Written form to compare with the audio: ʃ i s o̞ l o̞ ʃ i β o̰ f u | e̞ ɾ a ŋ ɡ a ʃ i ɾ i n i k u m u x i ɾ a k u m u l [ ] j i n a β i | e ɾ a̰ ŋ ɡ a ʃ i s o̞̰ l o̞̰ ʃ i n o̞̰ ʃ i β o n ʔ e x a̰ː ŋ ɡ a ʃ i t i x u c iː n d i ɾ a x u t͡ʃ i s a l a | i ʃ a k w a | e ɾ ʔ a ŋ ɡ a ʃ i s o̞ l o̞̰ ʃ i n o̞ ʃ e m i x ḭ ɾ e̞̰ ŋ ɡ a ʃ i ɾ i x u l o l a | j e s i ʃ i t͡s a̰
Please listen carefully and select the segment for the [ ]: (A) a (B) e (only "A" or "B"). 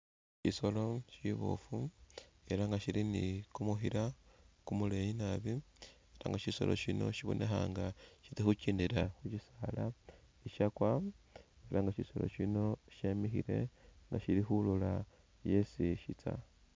B